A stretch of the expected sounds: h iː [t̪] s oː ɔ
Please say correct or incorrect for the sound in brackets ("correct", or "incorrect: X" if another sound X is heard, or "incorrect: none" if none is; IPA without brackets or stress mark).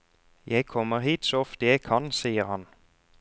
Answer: correct